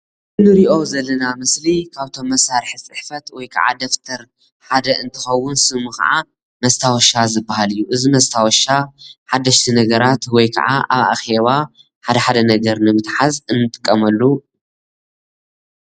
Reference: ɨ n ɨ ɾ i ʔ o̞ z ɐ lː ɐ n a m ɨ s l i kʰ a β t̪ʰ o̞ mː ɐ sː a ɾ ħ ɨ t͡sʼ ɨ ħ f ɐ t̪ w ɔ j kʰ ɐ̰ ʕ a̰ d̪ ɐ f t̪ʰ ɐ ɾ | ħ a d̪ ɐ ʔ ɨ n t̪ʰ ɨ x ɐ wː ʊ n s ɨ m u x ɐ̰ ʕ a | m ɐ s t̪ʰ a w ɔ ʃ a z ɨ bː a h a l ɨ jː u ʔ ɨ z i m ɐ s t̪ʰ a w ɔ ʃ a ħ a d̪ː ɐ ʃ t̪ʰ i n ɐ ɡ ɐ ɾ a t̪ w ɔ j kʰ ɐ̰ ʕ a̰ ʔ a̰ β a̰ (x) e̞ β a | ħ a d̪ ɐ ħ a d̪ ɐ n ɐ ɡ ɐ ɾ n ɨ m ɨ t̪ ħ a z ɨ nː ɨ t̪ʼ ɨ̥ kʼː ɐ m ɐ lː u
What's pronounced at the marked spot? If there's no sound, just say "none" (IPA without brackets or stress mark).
x